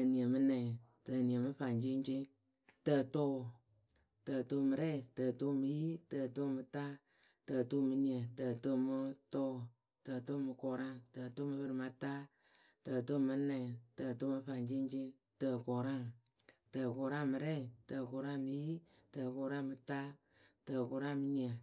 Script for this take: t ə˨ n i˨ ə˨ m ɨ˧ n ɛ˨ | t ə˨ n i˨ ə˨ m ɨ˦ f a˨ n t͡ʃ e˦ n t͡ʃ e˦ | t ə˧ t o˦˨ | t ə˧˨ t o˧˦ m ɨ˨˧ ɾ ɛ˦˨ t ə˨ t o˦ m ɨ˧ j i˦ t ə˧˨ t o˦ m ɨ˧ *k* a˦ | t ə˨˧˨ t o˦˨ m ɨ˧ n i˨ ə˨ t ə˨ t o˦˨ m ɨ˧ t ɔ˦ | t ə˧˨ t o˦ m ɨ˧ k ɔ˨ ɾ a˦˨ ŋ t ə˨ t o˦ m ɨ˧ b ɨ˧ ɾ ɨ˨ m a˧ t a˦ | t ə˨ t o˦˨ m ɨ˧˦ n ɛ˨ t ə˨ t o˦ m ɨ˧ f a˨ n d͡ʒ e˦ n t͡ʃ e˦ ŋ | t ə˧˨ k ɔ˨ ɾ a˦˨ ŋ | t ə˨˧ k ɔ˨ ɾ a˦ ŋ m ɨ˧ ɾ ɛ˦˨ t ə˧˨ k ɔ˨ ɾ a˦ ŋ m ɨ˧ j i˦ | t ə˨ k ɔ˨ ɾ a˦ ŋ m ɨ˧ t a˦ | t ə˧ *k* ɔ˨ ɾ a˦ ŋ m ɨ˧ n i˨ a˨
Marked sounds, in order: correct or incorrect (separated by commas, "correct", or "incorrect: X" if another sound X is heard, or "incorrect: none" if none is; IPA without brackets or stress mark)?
incorrect: t, correct